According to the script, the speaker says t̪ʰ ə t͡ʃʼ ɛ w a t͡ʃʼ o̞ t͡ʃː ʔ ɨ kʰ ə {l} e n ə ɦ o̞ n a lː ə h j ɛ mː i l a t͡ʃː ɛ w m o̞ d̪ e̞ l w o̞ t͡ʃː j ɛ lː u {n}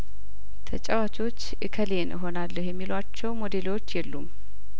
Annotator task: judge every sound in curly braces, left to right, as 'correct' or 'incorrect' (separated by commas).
correct, incorrect